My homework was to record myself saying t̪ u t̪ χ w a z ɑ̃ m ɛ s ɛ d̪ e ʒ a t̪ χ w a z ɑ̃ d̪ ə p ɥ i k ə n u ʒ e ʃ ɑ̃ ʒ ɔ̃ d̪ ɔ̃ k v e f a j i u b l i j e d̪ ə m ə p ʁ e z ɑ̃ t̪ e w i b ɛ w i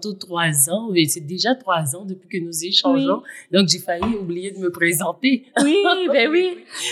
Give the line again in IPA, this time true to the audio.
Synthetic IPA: t̪ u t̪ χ w a z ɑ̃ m ɛ s ɛ d̪ e ʒ a t̪ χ w a z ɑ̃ d̪ ə p ɥ i k ə n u z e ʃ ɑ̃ ʒ ɔ̃ d̪ ɔ̃ k ʒ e f a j i u b l i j e d̪ ə m ə p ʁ e z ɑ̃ t̪ e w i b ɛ w i